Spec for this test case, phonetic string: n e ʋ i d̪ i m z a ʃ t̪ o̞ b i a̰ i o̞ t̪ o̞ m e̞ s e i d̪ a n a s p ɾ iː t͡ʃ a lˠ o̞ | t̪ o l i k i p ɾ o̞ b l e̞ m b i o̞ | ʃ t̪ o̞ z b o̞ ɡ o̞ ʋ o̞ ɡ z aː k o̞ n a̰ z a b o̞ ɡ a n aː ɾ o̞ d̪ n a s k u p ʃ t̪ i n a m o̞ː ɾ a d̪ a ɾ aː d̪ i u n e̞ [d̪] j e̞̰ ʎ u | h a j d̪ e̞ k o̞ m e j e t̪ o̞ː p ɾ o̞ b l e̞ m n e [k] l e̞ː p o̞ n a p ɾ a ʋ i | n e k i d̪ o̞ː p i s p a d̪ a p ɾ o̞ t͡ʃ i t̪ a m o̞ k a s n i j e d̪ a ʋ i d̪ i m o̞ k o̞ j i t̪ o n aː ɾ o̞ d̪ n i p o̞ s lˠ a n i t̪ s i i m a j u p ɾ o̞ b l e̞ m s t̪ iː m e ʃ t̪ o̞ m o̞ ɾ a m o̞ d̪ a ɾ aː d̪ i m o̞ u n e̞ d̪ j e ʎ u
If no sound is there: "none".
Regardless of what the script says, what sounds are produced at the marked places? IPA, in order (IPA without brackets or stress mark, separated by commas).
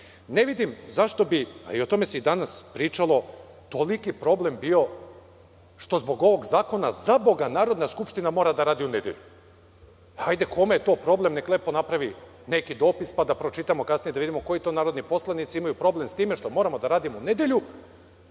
d̪, k